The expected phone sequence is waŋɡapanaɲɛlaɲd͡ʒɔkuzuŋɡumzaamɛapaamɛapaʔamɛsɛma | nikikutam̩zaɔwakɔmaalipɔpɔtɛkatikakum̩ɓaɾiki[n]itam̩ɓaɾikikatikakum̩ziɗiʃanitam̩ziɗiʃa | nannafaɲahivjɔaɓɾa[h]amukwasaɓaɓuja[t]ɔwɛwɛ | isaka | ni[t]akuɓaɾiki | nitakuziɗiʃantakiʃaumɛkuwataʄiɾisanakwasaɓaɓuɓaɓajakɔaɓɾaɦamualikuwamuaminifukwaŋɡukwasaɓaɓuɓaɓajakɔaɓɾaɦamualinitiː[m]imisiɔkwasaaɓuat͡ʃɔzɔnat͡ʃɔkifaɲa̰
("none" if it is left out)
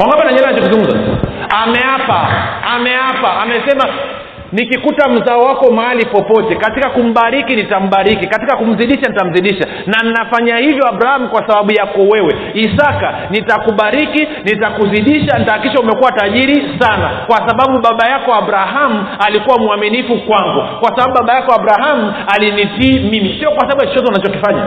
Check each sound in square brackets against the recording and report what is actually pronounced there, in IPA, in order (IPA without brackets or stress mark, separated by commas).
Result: n, h, k, t, m